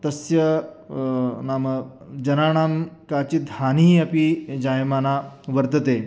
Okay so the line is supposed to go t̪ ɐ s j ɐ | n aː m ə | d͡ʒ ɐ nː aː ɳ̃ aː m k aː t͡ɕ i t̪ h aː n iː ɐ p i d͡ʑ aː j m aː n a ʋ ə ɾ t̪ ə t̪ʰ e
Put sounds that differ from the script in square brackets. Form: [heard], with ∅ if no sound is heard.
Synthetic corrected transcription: t̪ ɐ s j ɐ | n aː m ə | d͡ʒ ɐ [n] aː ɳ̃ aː m k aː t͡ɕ i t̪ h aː n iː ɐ p i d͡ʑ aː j m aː n a ʋ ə ɾ t̪ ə [t̪] e